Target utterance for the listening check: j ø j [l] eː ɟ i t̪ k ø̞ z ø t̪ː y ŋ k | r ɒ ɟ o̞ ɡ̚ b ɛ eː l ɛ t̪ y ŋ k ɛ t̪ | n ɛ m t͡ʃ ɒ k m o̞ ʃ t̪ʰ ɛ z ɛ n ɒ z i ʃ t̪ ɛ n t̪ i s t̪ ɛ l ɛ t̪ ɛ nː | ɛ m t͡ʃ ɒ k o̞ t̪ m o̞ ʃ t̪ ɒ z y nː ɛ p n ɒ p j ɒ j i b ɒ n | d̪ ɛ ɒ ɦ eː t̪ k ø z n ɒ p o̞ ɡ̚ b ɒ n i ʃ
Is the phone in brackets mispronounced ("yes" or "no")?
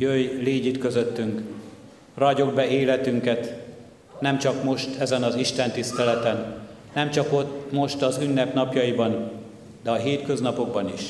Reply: no